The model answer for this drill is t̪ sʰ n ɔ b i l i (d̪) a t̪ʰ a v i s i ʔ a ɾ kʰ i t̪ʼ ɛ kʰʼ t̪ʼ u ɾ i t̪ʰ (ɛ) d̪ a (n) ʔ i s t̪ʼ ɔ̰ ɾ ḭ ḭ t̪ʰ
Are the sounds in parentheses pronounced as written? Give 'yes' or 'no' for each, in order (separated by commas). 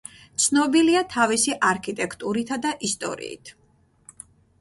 no, no, no